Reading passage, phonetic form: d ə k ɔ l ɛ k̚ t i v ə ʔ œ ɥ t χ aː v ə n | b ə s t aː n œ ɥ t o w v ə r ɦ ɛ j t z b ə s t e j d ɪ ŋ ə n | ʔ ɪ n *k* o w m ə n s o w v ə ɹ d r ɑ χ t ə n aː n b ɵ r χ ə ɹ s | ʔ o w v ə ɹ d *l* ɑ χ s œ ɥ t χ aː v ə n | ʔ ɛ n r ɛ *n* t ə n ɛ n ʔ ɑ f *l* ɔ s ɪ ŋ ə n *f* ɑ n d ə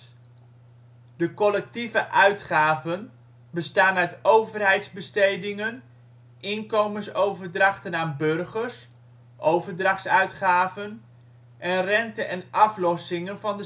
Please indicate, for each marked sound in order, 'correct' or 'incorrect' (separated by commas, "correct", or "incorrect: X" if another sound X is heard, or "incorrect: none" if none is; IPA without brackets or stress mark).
correct, incorrect: r, correct, correct, incorrect: v